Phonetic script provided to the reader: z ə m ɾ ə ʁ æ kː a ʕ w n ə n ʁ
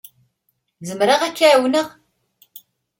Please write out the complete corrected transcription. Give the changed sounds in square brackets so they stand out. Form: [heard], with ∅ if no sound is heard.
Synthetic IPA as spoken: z ə m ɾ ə ʁ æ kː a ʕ w n ə [∅] ʁ